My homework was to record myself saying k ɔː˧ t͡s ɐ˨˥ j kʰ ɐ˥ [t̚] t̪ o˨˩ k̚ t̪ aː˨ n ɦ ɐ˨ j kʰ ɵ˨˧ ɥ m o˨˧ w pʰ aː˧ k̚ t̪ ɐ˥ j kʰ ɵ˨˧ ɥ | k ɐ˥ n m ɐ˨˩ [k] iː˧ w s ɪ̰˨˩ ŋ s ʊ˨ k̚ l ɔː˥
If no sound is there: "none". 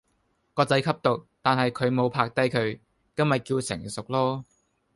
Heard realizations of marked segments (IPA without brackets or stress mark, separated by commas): p̚, k